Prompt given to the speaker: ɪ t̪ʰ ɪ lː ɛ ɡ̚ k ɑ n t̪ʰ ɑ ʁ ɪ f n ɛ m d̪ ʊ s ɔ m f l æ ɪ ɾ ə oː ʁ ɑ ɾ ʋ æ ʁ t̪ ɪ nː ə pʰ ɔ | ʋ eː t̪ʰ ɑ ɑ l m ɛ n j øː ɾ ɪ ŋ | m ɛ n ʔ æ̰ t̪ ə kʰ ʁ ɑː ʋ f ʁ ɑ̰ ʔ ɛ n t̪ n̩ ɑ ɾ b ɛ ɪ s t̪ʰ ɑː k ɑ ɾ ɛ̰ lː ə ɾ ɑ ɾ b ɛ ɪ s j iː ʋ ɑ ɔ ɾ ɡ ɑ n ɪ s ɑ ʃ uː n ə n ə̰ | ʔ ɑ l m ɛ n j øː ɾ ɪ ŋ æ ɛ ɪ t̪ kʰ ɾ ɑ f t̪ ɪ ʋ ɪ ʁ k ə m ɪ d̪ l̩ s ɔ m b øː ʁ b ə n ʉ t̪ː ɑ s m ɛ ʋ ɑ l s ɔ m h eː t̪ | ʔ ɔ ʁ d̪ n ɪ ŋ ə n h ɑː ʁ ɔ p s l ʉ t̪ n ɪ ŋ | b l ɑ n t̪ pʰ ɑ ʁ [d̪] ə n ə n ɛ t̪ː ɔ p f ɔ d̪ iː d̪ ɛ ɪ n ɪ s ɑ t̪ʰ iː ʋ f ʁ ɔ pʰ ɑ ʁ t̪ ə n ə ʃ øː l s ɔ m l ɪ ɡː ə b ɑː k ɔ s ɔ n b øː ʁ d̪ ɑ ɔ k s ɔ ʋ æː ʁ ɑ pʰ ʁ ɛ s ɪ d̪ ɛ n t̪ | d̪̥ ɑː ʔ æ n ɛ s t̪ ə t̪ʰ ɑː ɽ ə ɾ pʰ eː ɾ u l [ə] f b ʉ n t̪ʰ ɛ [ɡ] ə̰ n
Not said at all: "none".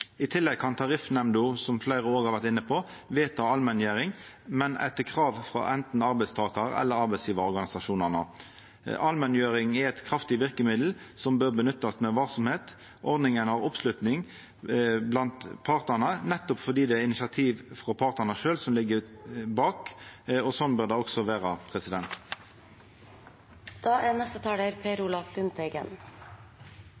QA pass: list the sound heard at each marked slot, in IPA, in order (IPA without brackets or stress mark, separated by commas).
t̪, ɑ, ɡ